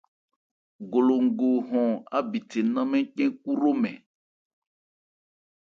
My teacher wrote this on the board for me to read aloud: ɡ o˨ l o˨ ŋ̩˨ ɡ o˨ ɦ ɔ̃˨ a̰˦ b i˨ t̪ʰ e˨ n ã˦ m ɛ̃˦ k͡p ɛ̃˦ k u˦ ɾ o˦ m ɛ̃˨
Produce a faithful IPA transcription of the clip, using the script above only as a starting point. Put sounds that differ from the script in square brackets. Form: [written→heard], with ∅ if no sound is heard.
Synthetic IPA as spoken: ɡ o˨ l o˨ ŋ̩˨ ɡ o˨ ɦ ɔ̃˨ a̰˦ b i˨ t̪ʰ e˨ n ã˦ m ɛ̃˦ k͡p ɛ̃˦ k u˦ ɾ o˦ m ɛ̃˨